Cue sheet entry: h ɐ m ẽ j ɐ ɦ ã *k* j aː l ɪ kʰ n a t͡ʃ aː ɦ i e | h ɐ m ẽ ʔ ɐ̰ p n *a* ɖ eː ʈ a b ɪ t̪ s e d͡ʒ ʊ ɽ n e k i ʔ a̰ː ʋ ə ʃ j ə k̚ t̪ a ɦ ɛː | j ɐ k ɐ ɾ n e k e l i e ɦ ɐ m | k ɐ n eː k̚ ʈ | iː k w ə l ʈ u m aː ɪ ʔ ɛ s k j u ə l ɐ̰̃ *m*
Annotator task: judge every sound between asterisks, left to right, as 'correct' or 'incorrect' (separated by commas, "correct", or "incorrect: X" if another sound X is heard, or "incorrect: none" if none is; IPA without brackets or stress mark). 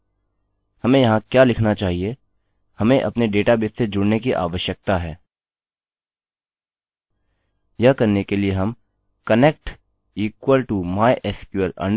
correct, incorrect: e, incorrect: ɳ